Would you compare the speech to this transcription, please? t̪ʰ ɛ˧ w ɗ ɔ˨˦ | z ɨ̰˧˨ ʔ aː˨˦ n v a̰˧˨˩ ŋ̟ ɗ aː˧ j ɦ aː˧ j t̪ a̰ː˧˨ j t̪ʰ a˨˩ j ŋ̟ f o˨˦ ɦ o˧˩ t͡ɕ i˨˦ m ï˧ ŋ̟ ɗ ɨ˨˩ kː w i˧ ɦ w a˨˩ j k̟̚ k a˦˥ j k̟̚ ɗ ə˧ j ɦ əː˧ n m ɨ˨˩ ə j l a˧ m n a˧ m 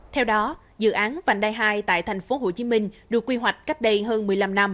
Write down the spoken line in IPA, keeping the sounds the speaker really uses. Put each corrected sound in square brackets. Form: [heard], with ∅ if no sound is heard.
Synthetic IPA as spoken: t̪ʰ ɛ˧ w ɗ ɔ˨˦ | z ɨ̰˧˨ ʔ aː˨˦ n v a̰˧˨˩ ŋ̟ ɗ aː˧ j ɦ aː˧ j t̪ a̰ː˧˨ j t̪ʰ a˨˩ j ŋ̟ f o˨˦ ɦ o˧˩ t͡ɕ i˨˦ m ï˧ ŋ̟ ɗ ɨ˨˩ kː w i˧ ɦ w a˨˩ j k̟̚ k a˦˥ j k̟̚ ɗ ə˧ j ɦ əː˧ n m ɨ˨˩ ə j l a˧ m n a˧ m